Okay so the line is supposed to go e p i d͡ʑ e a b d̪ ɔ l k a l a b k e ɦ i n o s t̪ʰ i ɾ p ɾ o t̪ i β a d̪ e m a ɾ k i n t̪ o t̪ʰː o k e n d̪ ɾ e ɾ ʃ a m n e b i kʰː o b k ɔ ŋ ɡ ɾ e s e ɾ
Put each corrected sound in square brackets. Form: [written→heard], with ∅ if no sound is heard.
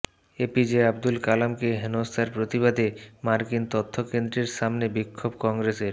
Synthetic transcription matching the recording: e p i d͡ʑ e a b d̪ [ɔ→u] l k a l a [b→m] k e ɦ [i→e] n o s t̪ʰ [i→a] ɾ p ɾ o t̪ i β a d̪ e m a ɾ k i n t̪ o t̪ʰː o k e n d̪ ɾ e ɾ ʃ a m n e b i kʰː o b k ɔ ŋ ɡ ɾ e s e ɾ